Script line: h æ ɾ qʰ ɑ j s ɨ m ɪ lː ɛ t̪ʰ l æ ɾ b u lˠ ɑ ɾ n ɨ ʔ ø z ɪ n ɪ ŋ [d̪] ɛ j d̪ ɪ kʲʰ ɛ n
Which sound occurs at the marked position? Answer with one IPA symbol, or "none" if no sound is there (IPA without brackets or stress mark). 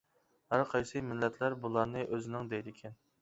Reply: d̪